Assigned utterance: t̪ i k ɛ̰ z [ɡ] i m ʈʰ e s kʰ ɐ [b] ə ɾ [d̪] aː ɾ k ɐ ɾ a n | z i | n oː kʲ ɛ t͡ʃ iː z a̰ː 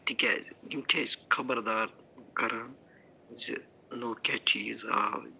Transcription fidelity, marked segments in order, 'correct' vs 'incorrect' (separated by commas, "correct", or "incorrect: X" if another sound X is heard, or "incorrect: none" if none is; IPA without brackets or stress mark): correct, correct, correct